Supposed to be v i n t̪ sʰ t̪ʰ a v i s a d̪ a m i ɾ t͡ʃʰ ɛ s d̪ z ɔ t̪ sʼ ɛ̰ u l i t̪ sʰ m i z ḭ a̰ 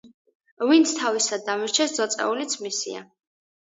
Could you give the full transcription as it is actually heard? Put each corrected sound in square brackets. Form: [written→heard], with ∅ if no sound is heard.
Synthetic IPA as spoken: v i n t̪ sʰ t̪ʰ a v i s a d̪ a m i ɾ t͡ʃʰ ɛ s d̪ z ɔ t̪ sʼ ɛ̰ u l i t̪ sʰ m i [z→s] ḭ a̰